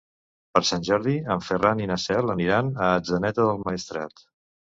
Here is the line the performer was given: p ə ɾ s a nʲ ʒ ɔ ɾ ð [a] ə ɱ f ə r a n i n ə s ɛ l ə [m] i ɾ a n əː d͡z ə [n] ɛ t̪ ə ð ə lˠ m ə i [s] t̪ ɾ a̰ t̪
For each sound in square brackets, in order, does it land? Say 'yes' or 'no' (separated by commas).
no, no, yes, yes